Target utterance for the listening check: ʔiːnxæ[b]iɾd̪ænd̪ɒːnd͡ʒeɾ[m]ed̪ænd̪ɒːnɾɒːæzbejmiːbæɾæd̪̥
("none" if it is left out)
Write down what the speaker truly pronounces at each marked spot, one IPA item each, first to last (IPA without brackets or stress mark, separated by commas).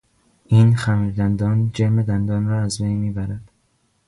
m, m